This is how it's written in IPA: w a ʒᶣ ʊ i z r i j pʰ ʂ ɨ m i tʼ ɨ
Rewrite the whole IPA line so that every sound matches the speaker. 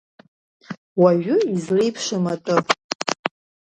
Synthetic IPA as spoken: w a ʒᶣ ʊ i z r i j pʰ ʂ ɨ m a tʼ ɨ